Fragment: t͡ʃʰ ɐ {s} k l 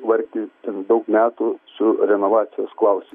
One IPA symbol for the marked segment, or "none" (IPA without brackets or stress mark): s